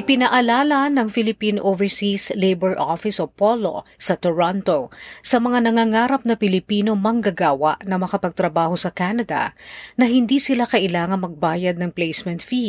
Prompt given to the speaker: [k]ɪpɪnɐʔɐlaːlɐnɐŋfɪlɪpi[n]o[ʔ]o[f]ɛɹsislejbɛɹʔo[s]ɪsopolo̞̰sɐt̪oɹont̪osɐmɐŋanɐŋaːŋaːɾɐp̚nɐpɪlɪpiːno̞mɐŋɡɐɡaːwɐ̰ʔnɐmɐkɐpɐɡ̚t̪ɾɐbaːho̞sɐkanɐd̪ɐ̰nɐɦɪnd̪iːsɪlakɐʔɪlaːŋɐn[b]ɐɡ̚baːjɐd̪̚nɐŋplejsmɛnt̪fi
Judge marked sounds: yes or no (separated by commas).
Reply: no, yes, yes, no, no, no